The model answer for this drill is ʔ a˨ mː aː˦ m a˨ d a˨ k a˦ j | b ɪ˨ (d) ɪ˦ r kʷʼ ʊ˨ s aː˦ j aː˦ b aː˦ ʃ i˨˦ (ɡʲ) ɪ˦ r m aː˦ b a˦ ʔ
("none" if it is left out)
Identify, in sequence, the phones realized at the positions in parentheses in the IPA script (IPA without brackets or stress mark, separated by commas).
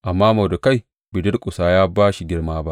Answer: d, ɡʲ